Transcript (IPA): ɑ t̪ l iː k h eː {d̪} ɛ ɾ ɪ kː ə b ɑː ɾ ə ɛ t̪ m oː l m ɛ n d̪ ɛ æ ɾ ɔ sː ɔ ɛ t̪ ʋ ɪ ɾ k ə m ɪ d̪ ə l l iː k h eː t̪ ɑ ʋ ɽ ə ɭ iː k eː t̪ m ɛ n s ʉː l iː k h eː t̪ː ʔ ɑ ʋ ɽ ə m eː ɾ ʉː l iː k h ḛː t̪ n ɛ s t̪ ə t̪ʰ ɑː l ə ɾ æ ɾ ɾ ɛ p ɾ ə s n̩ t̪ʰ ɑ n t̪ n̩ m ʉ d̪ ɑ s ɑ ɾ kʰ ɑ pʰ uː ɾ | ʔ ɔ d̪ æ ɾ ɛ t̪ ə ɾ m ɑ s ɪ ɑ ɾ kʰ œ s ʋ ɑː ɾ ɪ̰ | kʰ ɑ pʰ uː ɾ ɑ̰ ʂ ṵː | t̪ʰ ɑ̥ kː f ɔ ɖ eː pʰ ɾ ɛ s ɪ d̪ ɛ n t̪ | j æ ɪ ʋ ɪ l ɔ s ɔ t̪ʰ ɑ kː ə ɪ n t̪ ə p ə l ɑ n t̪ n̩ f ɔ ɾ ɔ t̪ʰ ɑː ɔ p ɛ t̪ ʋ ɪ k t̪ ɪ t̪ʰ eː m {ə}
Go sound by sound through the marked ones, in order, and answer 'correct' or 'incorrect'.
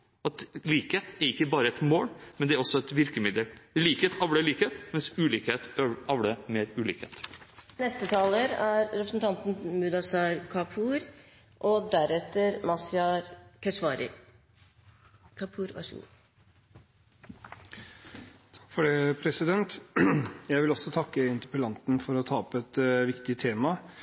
incorrect, incorrect

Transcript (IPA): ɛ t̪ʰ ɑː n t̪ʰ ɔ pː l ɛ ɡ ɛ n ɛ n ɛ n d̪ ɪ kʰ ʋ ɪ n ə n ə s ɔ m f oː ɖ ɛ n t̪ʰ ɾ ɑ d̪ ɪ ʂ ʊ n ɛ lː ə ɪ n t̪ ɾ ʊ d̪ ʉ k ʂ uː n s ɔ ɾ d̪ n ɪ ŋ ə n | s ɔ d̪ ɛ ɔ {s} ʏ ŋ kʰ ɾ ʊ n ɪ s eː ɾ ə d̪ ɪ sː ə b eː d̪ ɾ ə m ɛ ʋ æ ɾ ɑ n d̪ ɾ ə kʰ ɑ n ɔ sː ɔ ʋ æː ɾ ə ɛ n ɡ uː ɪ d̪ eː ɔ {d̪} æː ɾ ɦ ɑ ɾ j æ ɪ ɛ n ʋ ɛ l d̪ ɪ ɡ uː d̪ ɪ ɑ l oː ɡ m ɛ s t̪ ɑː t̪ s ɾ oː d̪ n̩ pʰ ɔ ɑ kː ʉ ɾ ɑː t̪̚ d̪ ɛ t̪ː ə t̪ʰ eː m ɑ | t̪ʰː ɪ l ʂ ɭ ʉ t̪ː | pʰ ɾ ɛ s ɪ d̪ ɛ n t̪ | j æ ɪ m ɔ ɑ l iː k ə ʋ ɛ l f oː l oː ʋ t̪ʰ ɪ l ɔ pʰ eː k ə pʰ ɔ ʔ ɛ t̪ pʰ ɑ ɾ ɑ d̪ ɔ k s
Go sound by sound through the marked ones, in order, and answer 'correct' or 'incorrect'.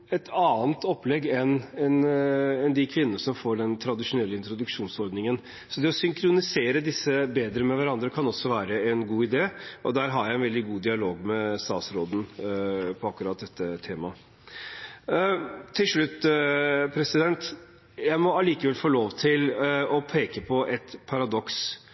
correct, correct

